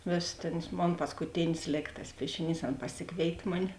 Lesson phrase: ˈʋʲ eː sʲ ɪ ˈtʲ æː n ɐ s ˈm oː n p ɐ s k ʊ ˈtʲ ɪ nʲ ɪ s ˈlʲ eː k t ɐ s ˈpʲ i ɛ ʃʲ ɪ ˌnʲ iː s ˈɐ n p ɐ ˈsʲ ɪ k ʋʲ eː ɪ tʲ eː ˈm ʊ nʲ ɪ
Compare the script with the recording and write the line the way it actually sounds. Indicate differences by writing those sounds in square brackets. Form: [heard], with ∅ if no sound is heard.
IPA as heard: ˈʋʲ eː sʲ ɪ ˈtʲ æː n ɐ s ˈm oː n p ɐ s k ʊ ˈtʲ ɪ nʲ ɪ s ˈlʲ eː k t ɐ s ˈpʲ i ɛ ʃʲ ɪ ˌnʲ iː s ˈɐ n p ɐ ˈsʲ ɪ k ʋʲ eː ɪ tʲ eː ˈm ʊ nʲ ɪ